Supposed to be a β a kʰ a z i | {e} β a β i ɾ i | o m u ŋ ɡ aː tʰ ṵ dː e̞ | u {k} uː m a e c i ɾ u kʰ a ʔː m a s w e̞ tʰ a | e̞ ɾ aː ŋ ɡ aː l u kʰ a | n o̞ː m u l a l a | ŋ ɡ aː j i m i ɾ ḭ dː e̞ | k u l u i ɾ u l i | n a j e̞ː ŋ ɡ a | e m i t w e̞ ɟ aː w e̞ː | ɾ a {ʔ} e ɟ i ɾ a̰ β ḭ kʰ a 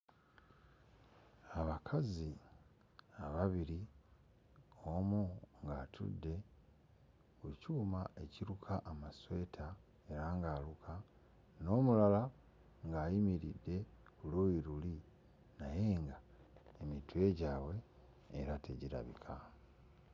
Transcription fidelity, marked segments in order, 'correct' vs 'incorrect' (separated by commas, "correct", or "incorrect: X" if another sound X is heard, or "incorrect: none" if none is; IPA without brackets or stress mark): incorrect: a, incorrect: c, incorrect: t